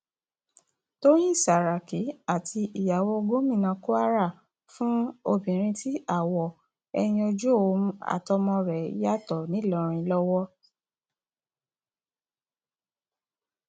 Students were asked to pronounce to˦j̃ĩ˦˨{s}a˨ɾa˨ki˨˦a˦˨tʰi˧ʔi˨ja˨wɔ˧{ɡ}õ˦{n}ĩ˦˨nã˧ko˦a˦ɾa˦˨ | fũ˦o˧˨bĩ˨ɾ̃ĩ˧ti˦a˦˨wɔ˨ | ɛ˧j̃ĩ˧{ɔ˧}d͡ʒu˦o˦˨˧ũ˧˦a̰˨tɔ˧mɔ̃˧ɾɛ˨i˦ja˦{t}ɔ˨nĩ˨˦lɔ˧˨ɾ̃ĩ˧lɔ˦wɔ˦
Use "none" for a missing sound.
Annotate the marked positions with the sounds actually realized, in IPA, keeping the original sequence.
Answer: s, ɡ, m, o˧, t

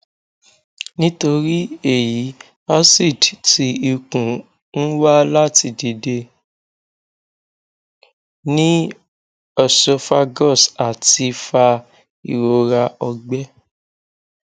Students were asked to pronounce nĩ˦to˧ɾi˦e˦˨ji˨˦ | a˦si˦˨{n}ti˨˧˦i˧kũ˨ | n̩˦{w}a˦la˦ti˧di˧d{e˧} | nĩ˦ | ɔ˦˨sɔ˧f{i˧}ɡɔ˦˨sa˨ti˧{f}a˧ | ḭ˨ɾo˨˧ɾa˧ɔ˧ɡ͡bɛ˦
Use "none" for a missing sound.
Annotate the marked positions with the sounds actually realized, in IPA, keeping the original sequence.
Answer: d, w, e˧, a˧, f

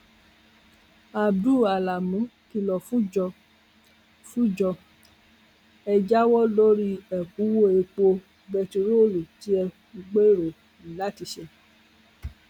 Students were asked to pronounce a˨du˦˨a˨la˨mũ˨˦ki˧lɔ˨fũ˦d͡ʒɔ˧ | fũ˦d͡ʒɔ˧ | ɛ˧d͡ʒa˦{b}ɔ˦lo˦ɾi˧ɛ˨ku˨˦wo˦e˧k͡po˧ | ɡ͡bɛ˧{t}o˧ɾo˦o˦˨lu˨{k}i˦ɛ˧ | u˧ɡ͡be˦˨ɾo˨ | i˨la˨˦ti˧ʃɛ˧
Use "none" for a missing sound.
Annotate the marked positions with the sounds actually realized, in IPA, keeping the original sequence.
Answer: w, t, t

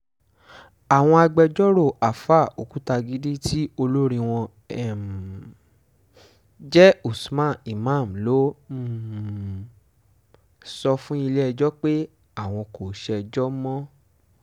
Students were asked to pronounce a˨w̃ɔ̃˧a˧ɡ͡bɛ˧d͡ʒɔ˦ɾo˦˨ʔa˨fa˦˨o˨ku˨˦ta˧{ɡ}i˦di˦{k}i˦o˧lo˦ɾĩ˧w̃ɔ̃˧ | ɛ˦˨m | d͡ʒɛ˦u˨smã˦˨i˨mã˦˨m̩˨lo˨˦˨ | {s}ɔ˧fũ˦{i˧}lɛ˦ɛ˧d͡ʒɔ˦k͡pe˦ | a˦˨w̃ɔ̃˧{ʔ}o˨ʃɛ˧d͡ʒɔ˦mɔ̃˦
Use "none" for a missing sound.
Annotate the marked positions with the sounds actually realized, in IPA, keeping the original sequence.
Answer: ɡ, t, s, i˧, k

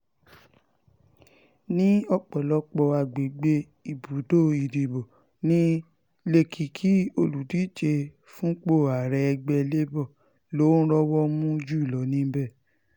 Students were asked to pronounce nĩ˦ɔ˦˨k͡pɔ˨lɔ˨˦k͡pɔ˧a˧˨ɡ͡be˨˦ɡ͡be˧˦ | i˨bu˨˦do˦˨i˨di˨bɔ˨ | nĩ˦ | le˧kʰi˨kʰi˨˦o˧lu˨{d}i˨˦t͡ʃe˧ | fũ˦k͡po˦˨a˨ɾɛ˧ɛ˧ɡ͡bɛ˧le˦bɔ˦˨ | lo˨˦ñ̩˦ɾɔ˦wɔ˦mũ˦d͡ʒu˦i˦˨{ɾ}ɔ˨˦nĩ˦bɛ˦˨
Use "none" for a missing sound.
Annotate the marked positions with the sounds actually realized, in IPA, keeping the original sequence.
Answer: d, l

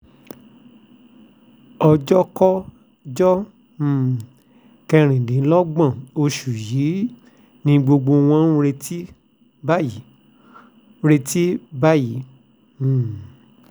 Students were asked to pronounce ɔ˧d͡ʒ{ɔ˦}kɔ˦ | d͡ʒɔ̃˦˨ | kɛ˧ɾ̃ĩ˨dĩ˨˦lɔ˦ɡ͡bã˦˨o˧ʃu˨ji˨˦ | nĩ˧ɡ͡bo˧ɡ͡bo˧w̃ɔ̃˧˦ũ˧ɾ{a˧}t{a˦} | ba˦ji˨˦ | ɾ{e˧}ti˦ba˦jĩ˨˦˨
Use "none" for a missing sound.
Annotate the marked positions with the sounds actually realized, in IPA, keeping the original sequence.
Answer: ɔ˦, e˧, i˦, e˧

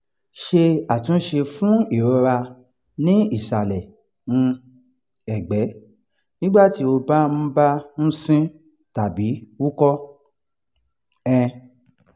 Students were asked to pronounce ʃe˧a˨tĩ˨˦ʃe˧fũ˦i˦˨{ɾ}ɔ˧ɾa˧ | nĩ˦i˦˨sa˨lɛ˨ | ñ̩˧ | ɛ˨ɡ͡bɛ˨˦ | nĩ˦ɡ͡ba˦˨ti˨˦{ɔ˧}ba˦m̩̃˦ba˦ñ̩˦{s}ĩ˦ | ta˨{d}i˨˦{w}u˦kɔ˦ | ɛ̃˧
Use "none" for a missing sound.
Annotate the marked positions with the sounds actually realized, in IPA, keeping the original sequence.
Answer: ɾ, o˧, s, b, w

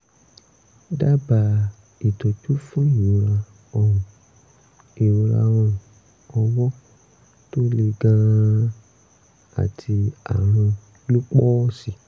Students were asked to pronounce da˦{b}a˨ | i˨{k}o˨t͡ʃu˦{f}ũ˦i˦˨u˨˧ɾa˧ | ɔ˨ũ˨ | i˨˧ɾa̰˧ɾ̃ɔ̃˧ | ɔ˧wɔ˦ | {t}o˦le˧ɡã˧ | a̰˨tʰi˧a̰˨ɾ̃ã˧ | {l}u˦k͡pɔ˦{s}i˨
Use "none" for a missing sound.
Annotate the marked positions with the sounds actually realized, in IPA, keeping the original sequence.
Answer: b, t, f, t, l, s

